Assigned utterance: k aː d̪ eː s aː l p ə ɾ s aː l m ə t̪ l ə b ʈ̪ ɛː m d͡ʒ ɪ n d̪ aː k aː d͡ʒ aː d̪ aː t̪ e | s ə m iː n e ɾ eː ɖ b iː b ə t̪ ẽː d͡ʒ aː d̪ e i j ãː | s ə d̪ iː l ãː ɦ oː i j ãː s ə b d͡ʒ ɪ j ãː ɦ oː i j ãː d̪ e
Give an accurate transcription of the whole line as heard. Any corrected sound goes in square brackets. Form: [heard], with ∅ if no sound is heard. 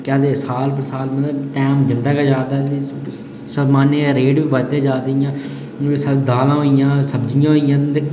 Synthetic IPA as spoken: k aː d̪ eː s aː l p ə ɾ s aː l m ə t̪ l ə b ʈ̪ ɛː m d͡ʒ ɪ n d̪ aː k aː d͡ʒ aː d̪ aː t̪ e | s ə m [aː] n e ɾ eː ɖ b iː b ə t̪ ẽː d͡ʒ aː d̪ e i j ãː | s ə d̪ [aː] l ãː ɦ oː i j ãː s ə b d͡ʒ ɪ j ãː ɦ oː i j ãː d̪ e